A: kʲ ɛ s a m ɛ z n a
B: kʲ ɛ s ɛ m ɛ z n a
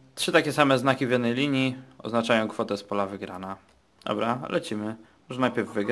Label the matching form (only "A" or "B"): A